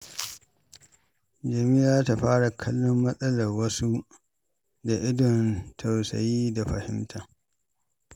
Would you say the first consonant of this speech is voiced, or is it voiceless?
voiced